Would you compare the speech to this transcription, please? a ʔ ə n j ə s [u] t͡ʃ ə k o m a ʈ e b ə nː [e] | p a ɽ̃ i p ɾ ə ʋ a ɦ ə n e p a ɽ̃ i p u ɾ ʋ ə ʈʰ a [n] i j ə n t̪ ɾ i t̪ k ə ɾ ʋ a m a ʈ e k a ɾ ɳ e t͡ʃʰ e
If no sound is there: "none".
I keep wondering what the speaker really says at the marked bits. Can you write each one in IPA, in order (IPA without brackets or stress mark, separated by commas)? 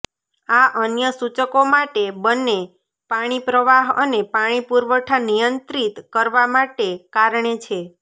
u, e, n